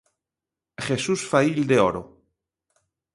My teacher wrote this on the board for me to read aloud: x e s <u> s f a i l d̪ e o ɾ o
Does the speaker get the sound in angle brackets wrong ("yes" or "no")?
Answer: no